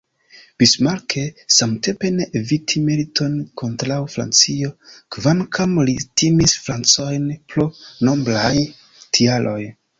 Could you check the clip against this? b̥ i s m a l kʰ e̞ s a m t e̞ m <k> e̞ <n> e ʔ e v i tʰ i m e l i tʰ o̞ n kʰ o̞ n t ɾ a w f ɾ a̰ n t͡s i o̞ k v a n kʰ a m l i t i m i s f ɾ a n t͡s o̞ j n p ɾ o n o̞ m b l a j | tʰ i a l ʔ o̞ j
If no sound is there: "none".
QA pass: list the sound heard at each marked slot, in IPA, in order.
p, n

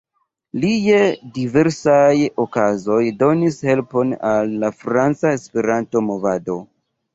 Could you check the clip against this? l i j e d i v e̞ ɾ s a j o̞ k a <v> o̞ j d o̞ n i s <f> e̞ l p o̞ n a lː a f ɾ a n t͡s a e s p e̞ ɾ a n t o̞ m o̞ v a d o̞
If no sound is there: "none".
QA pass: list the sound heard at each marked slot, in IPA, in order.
z, h

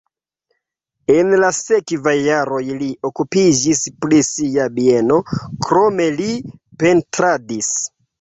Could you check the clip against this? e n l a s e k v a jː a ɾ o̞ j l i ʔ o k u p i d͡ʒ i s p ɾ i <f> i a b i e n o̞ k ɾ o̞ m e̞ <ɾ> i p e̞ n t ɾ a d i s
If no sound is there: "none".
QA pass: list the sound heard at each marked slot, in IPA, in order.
s, l

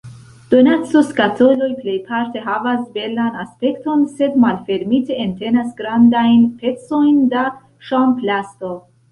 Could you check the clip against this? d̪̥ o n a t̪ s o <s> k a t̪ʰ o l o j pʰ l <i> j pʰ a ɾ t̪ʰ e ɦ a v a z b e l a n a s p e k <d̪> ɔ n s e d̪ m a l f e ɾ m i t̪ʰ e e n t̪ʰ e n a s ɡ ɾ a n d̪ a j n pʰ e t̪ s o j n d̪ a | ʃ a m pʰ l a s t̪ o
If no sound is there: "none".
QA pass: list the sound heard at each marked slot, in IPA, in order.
s, e, t̪

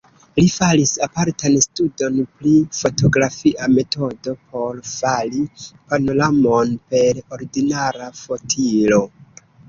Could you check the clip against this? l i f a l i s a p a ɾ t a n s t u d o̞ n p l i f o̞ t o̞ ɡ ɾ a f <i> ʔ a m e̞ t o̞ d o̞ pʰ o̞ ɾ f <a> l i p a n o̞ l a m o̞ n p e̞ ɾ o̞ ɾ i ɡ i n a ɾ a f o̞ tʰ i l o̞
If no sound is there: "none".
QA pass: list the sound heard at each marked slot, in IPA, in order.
i, a

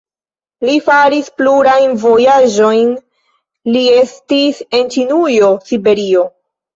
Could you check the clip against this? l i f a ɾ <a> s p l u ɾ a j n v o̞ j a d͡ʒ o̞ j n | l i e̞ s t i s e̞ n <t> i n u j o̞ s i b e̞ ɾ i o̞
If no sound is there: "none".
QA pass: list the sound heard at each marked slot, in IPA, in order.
i, t͡ʃ

